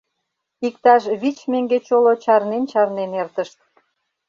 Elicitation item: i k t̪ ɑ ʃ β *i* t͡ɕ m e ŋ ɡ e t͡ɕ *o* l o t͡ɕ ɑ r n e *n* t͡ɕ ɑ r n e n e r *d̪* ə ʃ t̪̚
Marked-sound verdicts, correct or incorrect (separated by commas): correct, correct, correct, incorrect